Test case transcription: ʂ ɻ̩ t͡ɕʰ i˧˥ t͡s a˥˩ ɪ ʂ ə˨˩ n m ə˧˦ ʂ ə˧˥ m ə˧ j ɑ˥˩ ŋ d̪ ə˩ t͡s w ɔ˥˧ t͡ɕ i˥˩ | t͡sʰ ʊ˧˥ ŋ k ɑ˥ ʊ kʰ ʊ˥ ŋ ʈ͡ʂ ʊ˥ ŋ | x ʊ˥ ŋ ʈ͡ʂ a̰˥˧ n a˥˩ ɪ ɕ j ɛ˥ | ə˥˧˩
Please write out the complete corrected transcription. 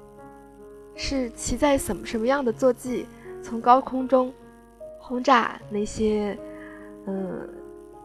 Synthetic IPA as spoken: ʂ ɻ̩ t͡ɕʰ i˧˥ t͡s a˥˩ ɪ ʂ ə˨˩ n m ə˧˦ ʂ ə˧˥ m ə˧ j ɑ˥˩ ŋ d̪ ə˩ t͡s w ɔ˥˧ t͡ɕ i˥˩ | t͡sʰ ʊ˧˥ ŋ k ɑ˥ ʊ kʰ ʊ˥ ŋ ʈ͡ʂ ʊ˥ ŋ | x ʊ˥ ŋ ʈ͡ʂ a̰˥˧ n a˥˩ ɪ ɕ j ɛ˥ | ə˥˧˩